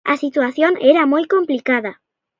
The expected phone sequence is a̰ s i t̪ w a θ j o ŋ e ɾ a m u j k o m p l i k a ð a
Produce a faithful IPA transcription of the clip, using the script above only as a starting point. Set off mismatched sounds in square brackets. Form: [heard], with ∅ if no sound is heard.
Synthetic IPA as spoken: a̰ s i t̪ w a θ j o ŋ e ɾ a m [o] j k o m p l i k a ð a